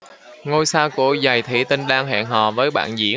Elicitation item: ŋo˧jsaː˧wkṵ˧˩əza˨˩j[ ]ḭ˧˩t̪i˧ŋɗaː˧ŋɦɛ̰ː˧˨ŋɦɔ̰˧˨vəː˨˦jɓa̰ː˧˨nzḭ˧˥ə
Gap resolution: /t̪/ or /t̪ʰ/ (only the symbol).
t̪ʰ